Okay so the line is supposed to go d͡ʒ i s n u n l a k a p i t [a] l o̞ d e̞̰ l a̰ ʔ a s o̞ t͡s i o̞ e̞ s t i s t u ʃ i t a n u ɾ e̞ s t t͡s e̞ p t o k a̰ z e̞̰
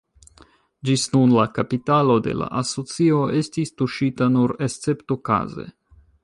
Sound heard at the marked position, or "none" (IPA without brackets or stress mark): a